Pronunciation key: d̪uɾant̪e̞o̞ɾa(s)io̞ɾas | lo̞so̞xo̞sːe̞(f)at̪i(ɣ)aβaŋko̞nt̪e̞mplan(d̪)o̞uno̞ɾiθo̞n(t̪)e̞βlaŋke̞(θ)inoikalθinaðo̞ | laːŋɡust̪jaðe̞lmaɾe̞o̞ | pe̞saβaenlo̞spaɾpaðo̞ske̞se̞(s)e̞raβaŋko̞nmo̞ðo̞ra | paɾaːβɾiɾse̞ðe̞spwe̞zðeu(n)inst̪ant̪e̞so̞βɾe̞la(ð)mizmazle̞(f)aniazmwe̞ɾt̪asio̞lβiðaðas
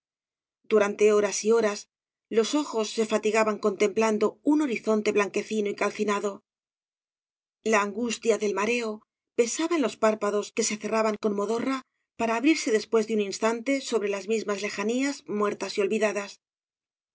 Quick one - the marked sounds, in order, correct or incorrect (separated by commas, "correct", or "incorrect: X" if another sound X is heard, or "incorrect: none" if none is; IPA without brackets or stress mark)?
correct, correct, correct, correct, correct, correct, incorrect: θ, correct, incorrect: z, incorrect: x